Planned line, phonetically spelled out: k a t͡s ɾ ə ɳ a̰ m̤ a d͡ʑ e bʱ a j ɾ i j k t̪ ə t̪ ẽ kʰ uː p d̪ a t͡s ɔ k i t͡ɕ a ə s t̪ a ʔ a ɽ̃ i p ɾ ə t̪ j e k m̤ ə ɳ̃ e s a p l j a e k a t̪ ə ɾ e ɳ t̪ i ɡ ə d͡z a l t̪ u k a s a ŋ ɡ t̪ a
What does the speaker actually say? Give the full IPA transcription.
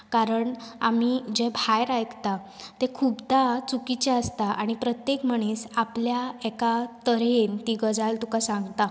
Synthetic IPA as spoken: k a ɾ ə ɳ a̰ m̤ i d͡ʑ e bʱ a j ɾ a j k t̪ a t̪ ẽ kʰ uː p d̪ a t͡s u k i t͡ɕ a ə s t̪ a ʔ a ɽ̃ i p ɾ ə t̪ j e k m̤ ə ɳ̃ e s a p l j a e k a t̪ ə ɾ e n t̪ i ɡ ə d͡z a l t̪ u k a s a ŋ ɡ t̪ a